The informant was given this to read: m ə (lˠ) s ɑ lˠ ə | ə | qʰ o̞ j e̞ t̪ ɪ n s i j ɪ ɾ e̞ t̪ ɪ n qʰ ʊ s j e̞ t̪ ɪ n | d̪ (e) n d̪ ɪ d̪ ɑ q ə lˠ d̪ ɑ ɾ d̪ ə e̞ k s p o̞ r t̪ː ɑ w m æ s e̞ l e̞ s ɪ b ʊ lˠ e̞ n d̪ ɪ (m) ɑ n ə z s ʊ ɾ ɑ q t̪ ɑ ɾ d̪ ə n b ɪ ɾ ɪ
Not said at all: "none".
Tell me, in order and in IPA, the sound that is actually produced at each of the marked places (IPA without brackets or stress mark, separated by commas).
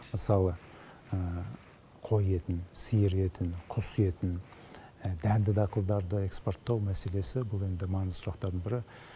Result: none, æ, m